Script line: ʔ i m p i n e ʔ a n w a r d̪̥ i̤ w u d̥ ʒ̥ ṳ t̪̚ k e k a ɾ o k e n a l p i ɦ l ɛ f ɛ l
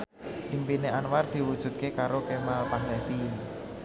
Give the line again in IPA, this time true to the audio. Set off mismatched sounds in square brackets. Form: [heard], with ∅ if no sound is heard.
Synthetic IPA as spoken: ʔ i m p i n e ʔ a n w a r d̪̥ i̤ w u d̥ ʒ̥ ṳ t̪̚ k e k a ɾ o k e [m] a l p [a] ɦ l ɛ f [i] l